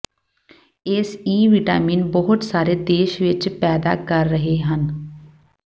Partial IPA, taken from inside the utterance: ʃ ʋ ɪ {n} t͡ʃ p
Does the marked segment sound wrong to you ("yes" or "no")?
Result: yes